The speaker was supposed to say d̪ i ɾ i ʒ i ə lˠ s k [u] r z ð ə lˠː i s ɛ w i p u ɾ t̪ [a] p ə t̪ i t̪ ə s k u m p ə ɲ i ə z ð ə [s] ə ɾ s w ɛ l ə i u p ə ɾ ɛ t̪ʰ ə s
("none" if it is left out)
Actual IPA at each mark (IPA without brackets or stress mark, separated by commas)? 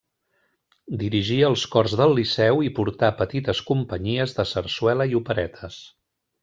ɔ, a, s